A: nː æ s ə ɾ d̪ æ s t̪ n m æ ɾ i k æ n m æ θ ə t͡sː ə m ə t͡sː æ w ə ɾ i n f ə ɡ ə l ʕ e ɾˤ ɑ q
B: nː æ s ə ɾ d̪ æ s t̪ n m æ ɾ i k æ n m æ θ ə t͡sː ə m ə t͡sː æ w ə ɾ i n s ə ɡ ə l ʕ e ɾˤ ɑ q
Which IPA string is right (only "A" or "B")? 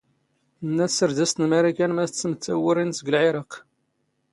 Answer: B